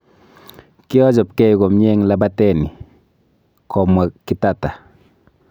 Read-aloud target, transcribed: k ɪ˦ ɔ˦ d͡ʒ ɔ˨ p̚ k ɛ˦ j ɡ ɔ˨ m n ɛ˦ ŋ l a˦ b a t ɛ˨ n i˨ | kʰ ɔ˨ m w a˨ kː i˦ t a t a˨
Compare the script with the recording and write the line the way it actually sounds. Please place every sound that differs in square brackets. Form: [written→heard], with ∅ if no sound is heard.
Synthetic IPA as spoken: k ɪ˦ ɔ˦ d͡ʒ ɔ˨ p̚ k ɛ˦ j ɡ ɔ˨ m [n→ɲ] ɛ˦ ŋ l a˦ b a t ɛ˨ n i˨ | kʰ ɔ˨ m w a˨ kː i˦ t a t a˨